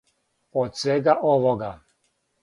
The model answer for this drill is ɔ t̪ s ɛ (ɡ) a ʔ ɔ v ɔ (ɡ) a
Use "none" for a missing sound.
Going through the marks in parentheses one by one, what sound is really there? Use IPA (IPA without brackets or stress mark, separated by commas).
ɡ, ɡ